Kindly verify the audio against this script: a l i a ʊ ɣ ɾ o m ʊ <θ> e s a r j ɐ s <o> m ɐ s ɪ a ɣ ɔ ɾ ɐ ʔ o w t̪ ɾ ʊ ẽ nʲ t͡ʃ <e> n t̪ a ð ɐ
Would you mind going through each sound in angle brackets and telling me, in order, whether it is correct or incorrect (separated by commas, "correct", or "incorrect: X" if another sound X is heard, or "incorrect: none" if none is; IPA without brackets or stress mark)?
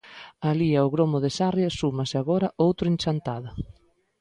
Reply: incorrect: ð, incorrect: u, incorrect: a